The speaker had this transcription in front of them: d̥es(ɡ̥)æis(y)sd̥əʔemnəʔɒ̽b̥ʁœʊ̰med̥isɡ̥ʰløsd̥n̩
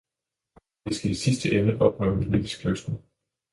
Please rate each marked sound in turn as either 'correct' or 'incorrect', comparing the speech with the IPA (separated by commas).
correct, incorrect